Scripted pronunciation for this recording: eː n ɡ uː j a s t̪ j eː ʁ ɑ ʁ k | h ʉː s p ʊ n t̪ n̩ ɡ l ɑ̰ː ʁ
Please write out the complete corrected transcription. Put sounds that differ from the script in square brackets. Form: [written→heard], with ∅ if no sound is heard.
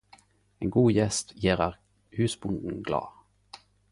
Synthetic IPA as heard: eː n ɡ uː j [a→ɛ] s t̪ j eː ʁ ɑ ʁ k | h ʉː s [p→b] ʊ n [t̪→d̪] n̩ ɡ l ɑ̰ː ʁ